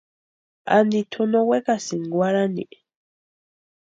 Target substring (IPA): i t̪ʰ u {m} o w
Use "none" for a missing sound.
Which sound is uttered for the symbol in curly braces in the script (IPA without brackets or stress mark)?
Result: n